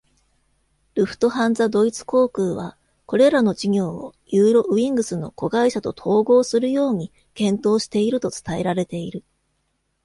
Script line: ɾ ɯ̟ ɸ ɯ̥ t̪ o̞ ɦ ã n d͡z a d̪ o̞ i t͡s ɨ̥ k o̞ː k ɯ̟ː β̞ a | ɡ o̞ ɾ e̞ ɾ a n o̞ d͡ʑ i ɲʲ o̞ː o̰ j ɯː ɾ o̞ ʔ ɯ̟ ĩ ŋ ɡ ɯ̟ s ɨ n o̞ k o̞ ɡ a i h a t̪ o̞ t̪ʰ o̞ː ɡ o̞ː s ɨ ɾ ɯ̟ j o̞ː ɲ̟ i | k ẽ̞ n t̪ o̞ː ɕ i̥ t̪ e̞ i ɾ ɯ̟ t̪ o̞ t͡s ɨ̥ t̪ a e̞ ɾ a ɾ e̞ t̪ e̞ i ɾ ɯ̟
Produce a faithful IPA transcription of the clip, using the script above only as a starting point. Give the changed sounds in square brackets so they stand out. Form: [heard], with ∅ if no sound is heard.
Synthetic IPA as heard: ɾ ɯ̟ ɸ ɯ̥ t̪ o̞ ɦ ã n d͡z a d̪ o̞ i t͡s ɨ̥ k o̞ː k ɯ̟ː β̞ a | [k] o̞ ɾ e̞ ɾ a n o̞ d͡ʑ i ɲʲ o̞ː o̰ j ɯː ɾ o̞ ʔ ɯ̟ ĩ ŋ ɡ ɯ̟ s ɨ n o̞ k o̞ ɡ a i [ɕ] a t̪ o̞ t̪ʰ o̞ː ɡ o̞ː s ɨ ɾ ɯ̟ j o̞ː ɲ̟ i | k ẽ̞ n t̪ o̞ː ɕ i̥ t̪ e̞ i ɾ ɯ̟ t̪ o̞ t͡s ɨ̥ t̪ a e̞ ɾ a ɾ e̞ t̪ e̞ i ɾ ɯ̟